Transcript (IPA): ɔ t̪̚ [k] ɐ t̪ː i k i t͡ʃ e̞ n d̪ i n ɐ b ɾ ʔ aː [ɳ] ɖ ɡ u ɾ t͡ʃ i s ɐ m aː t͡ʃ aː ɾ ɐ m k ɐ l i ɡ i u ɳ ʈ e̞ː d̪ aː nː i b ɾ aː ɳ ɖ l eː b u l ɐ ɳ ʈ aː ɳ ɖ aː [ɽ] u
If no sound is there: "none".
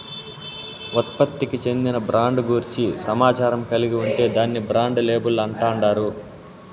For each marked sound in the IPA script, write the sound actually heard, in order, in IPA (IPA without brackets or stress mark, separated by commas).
p, ɳ, ɾ